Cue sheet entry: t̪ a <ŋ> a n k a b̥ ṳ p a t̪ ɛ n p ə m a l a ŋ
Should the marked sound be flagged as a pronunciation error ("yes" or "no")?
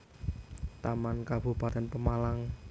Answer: yes